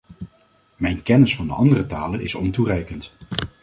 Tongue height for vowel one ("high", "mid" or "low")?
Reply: mid